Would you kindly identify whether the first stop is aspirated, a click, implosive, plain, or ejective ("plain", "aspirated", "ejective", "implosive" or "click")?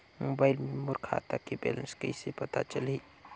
plain